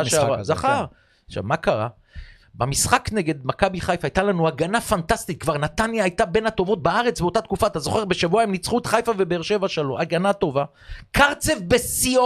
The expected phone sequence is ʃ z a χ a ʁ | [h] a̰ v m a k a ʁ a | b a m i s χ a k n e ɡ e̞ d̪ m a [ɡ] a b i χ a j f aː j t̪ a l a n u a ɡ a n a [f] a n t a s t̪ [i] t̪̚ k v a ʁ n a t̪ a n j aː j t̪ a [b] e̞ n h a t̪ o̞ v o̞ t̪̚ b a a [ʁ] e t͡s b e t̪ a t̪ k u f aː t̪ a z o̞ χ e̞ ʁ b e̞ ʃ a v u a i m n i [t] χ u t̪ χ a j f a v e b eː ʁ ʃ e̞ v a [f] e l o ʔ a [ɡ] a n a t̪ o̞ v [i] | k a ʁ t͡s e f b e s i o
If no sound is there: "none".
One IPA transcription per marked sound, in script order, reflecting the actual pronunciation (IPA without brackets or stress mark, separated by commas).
ʃ, k, f, i, b, ʁ, t͡s, ʃ, ɡ, a